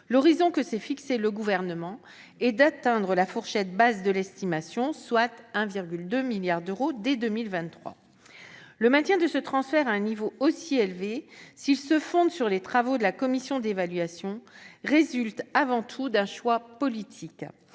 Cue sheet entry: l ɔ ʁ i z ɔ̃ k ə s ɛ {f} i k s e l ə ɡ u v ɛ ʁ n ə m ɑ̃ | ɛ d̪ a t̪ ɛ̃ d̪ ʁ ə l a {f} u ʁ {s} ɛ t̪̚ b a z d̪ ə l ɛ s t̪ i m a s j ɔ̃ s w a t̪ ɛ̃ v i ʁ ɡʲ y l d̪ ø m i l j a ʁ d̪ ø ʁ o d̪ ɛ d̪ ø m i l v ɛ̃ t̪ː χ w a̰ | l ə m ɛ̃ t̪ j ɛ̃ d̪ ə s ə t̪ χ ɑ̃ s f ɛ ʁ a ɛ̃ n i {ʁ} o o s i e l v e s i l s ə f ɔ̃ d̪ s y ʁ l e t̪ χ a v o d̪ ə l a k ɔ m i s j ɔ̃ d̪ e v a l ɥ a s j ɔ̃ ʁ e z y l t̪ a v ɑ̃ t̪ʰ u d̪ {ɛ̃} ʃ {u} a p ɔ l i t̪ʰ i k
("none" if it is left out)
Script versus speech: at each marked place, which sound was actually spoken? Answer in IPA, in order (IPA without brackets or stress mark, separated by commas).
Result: f, f, ʃ, v, ɛ̃, w